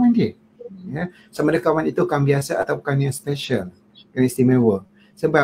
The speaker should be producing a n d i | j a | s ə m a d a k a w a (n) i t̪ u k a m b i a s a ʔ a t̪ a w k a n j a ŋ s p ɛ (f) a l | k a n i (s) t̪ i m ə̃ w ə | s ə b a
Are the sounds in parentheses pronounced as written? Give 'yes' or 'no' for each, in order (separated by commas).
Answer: yes, no, yes